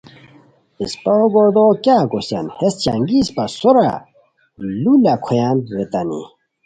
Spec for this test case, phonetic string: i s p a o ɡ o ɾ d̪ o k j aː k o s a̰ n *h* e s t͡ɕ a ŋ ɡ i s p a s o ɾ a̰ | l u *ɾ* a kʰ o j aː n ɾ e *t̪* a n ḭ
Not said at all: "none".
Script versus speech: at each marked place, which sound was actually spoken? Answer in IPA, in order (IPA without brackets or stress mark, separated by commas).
h, l, t̪